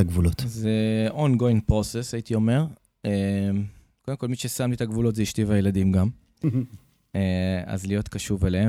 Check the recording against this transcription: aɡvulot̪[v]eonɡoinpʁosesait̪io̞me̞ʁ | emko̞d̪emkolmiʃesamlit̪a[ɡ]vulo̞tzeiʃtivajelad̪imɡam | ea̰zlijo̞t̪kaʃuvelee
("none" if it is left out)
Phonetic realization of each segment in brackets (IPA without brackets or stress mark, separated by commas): z, ɡ